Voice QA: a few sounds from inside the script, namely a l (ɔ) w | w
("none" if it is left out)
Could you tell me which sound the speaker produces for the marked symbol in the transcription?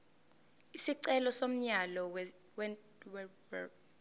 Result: ɔ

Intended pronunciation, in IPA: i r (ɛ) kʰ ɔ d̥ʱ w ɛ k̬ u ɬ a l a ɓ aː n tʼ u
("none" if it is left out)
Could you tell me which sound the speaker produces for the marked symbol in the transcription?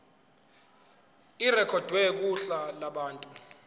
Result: ɛ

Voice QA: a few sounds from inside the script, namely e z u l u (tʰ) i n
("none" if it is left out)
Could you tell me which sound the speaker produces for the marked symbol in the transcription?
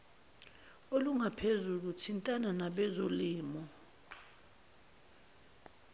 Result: tʰ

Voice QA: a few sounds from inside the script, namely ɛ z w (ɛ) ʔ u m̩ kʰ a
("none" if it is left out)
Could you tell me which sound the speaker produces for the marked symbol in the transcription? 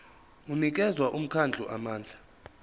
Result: a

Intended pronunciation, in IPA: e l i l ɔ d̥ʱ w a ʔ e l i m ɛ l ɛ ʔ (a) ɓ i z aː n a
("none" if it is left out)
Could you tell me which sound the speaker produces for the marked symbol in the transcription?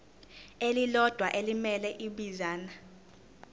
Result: i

